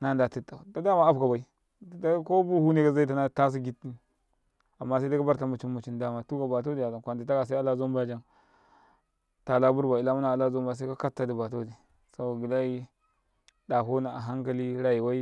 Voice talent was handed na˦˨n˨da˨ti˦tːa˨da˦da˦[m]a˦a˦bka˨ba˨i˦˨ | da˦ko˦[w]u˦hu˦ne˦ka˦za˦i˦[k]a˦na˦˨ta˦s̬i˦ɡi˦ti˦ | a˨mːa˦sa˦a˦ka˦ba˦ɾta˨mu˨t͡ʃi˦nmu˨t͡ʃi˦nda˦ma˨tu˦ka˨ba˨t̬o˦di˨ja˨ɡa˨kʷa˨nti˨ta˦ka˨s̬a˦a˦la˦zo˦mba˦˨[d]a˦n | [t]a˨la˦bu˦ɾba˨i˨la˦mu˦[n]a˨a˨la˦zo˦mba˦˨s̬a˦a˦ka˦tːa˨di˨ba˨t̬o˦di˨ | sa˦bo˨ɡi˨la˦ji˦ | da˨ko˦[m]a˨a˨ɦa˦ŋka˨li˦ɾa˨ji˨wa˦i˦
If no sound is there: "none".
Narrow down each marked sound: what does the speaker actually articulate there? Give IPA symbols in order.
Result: m, b, t, d͡ʒ, t, n, n

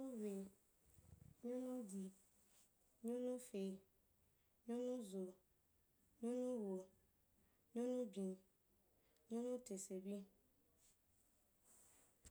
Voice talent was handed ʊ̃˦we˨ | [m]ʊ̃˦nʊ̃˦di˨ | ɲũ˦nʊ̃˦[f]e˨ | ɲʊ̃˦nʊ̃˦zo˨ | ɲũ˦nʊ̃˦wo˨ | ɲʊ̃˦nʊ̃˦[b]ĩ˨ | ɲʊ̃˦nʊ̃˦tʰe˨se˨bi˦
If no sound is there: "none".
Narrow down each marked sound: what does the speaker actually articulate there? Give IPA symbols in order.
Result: ɲ, f, b

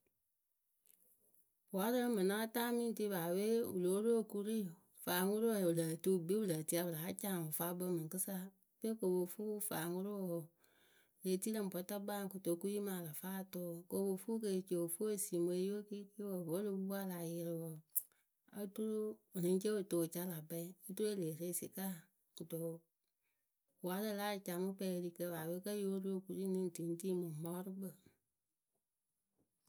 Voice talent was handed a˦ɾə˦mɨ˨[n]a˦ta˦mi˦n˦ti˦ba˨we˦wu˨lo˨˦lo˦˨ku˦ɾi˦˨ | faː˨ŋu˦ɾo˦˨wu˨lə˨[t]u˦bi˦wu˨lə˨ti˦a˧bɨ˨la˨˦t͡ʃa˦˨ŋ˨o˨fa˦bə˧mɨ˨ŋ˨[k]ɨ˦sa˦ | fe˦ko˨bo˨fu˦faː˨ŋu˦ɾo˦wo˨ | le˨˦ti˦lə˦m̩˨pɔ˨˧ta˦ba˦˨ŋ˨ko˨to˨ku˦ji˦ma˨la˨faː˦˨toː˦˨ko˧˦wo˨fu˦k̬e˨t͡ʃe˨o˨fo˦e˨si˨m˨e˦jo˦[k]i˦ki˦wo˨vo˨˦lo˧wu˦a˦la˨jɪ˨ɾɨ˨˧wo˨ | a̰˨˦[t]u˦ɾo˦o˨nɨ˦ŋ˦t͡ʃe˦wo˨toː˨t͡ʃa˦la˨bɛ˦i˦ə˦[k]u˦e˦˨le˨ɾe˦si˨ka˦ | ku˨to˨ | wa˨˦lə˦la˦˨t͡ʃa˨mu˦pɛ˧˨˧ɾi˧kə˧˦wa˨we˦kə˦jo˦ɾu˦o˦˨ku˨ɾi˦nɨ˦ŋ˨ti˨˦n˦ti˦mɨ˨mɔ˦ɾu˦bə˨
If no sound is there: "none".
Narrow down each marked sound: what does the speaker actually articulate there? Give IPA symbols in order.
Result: n, t, k, k, t, t

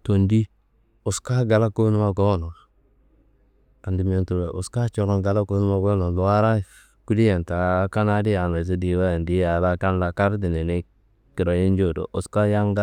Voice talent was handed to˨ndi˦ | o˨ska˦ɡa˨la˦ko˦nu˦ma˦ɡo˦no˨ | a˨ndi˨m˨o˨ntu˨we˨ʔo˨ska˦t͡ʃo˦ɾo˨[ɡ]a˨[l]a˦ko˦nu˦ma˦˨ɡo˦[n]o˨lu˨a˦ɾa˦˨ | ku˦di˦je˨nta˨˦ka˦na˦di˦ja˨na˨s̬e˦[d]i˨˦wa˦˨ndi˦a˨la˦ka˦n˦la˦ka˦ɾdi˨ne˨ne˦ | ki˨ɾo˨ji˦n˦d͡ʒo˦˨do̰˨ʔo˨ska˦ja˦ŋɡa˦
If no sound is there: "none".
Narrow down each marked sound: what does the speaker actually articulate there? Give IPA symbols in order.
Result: ɡ, l, n, d

